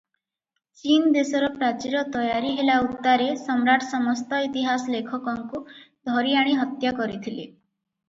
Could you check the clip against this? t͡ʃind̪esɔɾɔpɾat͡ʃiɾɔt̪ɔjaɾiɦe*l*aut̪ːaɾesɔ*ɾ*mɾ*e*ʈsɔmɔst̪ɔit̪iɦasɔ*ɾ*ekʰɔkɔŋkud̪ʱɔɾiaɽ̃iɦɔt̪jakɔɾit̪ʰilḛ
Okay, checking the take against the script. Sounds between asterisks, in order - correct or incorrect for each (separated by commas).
correct, incorrect, incorrect, incorrect